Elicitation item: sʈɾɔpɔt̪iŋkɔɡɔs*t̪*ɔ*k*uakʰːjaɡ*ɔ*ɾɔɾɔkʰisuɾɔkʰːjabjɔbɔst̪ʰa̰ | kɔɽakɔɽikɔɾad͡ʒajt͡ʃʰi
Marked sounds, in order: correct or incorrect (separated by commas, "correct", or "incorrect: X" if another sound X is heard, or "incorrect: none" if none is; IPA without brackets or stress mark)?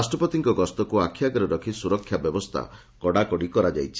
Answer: correct, correct, correct